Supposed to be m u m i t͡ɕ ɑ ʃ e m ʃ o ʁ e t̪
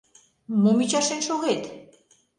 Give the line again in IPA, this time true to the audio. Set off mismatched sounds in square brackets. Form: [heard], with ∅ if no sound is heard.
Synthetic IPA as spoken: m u m i t͡ɕ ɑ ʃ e [n] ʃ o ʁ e t̪